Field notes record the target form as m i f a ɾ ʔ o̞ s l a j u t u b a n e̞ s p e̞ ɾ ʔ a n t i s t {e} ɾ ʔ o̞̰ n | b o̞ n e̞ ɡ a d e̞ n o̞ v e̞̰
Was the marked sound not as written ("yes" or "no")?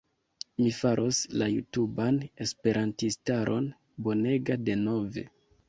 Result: yes